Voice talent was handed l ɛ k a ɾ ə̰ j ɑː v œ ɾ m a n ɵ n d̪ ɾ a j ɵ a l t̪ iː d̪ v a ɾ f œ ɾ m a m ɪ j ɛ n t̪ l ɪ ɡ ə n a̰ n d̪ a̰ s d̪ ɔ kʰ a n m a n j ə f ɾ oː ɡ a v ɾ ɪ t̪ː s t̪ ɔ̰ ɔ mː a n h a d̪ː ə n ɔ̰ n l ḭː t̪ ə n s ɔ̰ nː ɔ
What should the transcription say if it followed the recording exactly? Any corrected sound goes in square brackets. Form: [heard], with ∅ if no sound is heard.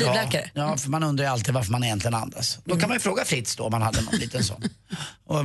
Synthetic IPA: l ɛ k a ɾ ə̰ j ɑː [f] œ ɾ m a n ɵ n d̪ ɾ a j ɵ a l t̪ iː d̪ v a ɾ f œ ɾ m a [n] ɪ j ɛ n t̪ l ɪ ɡ ə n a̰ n d̪ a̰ s d̪ ɔ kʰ a n m a n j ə f ɾ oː ɡ a [f] ɾ ɪ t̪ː s [d̪] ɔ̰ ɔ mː a n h a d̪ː ə n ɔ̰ n l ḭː t̪ ə n s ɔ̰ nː ɔ